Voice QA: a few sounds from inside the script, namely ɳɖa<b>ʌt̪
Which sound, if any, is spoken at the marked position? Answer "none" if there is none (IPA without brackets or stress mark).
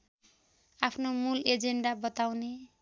b